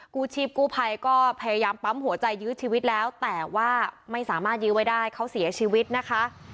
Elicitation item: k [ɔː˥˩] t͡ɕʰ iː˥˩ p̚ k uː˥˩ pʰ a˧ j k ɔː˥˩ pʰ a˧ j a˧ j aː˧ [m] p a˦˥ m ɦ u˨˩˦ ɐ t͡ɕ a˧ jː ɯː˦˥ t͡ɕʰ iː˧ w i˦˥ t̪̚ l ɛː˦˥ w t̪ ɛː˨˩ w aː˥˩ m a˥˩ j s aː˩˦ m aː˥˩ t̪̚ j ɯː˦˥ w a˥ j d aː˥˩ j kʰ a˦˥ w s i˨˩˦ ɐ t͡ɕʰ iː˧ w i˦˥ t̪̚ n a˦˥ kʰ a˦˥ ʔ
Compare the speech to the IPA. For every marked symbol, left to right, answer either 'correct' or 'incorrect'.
incorrect, correct

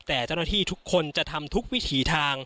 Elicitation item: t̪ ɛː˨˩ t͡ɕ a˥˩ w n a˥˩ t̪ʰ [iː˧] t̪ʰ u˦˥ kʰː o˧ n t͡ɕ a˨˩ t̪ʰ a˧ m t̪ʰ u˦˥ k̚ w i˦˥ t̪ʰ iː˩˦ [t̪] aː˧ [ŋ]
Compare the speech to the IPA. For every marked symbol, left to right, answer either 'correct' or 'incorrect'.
incorrect, incorrect, correct

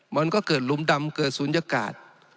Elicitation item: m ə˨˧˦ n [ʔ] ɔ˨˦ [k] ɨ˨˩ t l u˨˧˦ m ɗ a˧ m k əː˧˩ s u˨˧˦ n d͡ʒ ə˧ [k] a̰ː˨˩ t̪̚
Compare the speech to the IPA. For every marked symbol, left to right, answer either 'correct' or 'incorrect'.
incorrect, correct, correct

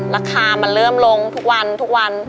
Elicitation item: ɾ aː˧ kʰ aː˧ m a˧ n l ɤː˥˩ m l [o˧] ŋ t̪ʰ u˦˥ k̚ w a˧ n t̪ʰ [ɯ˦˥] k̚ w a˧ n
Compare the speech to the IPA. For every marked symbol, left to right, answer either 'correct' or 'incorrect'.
correct, incorrect

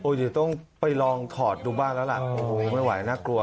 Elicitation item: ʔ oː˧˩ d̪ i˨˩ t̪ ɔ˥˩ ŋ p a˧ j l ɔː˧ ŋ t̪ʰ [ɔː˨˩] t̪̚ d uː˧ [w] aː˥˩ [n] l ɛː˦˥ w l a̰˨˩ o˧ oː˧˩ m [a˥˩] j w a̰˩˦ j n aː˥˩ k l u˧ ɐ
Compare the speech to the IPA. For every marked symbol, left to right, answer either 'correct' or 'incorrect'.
correct, incorrect, correct, correct

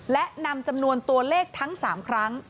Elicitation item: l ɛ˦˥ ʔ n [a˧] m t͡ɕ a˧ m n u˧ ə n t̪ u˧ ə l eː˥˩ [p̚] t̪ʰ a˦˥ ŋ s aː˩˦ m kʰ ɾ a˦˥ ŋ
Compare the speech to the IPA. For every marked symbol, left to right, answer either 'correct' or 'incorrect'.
correct, incorrect

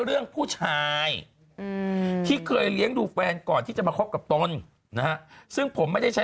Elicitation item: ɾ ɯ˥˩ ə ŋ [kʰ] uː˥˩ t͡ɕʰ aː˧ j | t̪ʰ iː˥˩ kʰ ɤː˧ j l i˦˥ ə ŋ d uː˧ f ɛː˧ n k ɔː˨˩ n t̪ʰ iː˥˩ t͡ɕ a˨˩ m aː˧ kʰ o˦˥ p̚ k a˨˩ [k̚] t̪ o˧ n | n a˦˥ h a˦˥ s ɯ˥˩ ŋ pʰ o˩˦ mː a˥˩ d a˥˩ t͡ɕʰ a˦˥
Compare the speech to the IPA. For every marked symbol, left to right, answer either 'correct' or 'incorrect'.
incorrect, incorrect

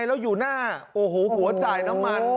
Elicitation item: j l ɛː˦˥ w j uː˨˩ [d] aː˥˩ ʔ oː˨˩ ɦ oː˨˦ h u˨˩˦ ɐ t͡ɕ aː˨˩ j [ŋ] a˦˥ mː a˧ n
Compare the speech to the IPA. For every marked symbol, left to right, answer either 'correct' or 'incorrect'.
incorrect, incorrect

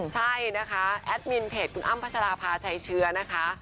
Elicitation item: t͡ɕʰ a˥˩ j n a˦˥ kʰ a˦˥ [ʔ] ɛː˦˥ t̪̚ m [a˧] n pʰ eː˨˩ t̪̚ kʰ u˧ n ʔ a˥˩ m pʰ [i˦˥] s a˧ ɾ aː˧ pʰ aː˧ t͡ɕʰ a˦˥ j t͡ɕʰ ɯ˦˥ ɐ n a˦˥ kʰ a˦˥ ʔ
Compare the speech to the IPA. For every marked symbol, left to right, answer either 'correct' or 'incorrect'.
correct, incorrect, incorrect

